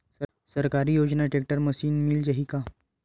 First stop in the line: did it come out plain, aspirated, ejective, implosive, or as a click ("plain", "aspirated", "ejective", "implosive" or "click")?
plain